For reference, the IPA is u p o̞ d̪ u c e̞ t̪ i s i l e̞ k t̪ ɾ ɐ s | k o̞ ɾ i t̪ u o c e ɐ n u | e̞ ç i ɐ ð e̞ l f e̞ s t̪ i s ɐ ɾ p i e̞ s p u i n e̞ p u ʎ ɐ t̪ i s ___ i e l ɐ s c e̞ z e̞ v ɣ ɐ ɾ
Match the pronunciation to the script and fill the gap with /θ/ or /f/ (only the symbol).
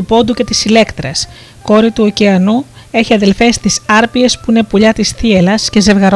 θ